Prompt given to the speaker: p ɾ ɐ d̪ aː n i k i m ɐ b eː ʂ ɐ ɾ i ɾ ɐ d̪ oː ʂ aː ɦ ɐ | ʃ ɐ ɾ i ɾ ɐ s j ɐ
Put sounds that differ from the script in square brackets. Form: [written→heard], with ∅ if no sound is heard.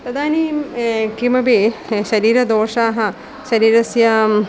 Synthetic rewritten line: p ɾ ɐ d̪ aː n i k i m ɐ b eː [ʂ→ʃ] ɐ ɾ [i→iː] ɾ ɐ d̪ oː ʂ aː ɦ ɐ | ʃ ɐ ɾ [i→iː] ɾ ɐ s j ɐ